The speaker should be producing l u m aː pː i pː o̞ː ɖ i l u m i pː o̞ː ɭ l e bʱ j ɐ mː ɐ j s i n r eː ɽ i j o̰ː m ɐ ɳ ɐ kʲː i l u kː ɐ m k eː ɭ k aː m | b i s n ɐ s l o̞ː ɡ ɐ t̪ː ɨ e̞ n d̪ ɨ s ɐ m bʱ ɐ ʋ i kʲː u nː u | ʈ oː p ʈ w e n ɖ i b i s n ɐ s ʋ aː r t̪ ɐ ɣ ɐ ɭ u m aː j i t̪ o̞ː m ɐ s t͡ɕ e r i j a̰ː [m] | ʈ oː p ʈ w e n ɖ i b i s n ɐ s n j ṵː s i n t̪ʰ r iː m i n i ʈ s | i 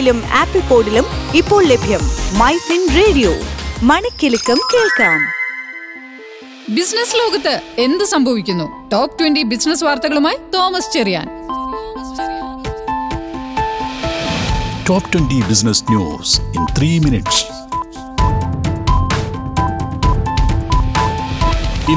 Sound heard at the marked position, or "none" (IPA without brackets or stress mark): n